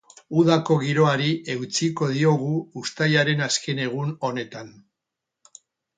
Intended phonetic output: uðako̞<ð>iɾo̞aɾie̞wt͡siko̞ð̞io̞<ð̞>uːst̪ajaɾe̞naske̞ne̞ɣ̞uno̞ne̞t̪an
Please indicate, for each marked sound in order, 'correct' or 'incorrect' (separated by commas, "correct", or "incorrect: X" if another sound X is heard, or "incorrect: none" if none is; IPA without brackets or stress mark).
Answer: incorrect: ɣ, incorrect: ɣ̞